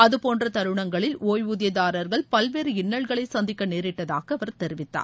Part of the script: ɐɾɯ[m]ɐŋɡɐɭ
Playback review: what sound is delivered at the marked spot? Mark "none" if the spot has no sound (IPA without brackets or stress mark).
ɳ